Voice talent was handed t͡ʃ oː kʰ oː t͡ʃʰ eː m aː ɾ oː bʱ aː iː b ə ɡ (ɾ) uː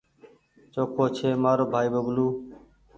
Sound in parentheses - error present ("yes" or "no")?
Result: yes